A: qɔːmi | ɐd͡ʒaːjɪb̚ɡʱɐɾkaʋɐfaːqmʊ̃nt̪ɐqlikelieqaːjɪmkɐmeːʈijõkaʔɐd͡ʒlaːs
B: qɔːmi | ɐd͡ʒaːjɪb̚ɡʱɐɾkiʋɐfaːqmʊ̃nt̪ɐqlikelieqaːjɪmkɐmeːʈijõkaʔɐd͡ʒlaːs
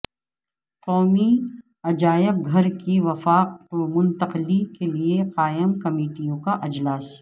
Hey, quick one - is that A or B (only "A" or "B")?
B